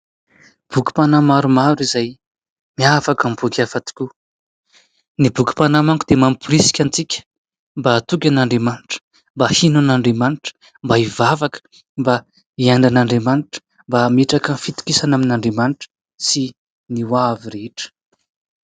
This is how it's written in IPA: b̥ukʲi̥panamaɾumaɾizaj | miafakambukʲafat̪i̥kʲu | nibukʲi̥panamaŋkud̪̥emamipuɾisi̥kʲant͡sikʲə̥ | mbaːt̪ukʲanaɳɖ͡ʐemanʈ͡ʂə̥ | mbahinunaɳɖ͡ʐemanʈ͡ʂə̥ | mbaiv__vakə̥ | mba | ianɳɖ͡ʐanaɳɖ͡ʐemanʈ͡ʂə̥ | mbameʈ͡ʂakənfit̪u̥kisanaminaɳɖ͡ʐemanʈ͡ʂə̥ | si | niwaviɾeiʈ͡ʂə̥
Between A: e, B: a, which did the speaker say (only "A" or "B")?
B